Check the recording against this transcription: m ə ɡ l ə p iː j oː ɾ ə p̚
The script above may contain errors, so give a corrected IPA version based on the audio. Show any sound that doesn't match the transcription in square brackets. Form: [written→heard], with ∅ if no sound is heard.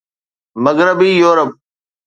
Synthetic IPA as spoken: m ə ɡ [l→ɾ] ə [p→b] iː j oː ɾ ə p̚